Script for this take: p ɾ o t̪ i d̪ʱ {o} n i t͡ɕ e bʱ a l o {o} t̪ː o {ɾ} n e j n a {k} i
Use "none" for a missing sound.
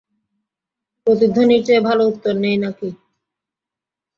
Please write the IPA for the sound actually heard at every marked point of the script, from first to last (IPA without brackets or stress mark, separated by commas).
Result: o, u, ɾ, k